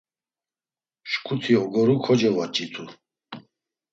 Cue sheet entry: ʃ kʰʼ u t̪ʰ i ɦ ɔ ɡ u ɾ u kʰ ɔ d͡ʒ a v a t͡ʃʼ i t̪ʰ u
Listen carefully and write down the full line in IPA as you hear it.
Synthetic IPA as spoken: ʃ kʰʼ u t̪ʰ i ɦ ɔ ɡ ɔ ɾ u kʰ ɔ d͡ʒ ɛ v a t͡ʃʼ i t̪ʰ u